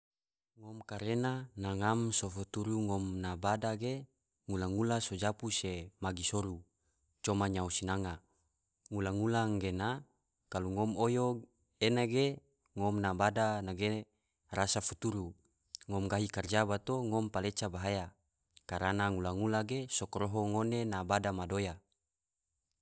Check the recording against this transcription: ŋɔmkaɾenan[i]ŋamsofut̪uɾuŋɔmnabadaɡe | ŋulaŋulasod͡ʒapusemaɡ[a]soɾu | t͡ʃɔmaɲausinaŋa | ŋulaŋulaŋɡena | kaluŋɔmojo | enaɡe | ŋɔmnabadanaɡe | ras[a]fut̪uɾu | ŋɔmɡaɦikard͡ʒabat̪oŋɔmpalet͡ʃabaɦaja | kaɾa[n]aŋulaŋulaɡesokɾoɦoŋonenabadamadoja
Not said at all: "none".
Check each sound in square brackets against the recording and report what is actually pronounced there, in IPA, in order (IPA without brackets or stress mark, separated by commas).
a, i, a, n